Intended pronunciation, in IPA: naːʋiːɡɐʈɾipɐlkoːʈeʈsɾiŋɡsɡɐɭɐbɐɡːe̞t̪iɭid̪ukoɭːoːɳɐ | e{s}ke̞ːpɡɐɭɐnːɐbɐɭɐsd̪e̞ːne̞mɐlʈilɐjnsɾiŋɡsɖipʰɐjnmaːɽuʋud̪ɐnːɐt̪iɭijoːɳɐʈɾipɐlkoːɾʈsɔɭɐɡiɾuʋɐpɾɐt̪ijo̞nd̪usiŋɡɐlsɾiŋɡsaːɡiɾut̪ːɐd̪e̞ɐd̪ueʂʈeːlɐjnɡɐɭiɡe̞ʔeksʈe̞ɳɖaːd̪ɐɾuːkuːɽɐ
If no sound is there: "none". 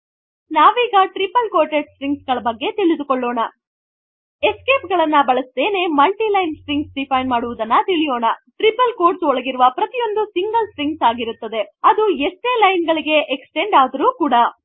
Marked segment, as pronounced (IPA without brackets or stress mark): s